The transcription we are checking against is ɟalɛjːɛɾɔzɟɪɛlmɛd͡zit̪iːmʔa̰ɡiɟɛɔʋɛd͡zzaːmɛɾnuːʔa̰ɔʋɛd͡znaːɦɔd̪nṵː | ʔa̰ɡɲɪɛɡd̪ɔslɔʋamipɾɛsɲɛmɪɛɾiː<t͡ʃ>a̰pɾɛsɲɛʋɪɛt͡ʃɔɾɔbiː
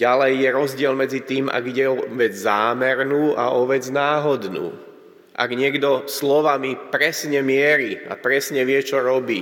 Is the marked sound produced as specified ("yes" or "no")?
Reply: no